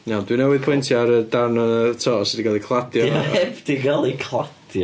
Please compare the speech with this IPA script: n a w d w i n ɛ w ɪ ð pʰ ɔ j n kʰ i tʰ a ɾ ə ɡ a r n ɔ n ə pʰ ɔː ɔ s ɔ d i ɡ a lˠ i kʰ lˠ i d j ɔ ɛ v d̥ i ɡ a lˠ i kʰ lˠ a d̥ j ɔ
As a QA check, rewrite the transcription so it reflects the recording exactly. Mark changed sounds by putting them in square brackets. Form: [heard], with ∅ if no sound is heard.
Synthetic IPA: n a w d w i n ɛ w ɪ ð pʰ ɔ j n [tʰ] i [∅] a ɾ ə [d] a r n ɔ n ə [tʰ] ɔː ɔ s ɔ d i ɡ a lˠ i kʰ lˠ [a] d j ɔ ɛ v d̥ i ɡ a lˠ i kʰ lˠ a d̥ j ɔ